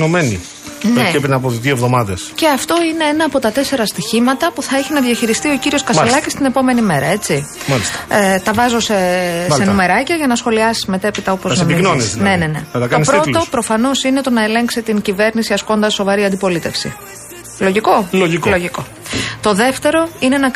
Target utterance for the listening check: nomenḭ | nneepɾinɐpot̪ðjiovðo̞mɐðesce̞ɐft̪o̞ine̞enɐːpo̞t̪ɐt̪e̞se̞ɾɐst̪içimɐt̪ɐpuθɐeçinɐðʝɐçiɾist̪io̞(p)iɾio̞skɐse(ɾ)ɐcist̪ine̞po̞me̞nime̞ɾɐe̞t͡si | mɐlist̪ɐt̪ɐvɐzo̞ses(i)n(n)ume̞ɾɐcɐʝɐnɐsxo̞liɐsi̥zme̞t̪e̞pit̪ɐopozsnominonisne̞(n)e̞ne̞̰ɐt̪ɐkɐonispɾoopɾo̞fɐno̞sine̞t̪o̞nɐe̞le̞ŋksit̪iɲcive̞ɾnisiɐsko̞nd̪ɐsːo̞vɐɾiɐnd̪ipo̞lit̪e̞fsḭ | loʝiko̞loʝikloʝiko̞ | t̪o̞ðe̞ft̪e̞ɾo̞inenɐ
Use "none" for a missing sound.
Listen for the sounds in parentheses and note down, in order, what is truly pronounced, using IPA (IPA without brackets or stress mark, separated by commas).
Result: c, l, e, n, n